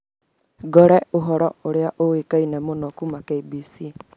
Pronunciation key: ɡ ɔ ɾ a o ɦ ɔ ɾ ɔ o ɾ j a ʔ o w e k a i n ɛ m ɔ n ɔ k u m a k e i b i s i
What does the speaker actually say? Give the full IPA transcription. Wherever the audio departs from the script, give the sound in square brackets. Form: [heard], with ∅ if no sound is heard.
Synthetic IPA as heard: ɡ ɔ ɾ [ɛ] o ɦ ɔ ɾ ɔ o ɾ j a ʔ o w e k a i n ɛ m [o] n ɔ k u m a k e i b i s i